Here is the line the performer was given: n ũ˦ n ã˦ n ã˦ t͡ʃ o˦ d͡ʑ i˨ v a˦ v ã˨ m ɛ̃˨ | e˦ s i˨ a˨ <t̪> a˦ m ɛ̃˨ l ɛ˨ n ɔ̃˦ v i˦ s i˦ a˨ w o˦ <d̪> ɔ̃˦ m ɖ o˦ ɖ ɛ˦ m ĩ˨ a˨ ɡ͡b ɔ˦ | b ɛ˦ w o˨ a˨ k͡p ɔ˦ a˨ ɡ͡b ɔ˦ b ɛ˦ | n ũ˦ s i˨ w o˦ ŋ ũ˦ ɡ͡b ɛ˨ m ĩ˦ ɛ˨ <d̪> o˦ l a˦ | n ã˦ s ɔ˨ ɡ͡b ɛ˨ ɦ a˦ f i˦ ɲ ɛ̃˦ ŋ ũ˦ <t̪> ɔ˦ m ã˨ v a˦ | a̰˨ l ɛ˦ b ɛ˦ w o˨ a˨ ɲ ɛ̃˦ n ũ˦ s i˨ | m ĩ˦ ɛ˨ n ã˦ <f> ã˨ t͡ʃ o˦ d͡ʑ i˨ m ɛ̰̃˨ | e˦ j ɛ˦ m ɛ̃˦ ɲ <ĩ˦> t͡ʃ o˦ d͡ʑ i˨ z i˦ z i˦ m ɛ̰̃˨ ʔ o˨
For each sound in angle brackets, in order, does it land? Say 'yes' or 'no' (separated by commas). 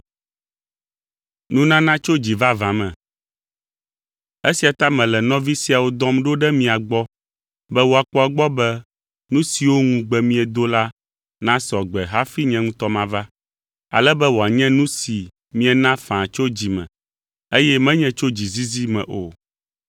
yes, yes, yes, yes, yes, no